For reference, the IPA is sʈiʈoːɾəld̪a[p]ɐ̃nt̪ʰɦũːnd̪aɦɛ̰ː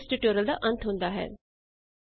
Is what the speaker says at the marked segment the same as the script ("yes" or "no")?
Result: no